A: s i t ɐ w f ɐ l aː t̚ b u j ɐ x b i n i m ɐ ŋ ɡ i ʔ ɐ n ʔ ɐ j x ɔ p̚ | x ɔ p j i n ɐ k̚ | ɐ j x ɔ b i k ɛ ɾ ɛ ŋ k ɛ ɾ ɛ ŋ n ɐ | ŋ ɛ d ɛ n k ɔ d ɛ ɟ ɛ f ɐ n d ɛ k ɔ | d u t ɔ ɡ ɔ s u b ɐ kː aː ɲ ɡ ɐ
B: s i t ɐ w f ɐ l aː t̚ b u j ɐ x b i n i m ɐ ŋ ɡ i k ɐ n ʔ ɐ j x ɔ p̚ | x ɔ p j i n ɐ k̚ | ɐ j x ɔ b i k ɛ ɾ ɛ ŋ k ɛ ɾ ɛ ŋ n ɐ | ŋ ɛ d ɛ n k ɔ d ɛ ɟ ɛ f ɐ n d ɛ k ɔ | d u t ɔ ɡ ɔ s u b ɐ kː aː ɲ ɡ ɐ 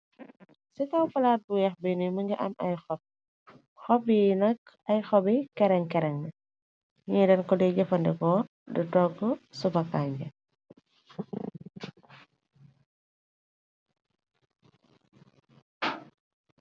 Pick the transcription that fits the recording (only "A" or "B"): A